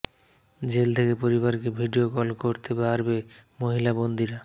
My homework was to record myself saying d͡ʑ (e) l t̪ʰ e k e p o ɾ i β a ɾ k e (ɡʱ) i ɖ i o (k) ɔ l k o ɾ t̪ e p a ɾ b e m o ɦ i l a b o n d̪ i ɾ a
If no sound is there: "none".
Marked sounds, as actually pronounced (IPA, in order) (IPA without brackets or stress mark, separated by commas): e, bʱ, k